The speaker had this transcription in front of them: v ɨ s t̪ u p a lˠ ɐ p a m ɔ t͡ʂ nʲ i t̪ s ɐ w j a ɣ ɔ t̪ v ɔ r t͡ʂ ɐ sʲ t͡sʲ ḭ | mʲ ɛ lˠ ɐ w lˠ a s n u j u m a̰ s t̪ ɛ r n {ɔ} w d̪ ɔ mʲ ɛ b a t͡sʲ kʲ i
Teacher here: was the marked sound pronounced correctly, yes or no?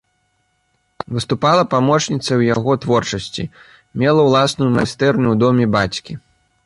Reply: no